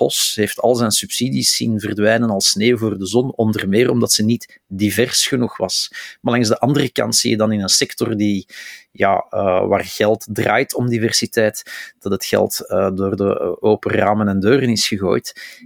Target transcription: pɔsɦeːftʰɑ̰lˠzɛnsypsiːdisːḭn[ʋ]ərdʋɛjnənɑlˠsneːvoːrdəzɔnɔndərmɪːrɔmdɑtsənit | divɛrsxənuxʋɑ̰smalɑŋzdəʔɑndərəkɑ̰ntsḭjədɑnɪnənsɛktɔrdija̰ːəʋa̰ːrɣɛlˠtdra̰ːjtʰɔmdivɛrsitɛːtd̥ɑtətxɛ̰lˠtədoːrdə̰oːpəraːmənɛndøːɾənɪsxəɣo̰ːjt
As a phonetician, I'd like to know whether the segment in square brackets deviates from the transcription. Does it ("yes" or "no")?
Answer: yes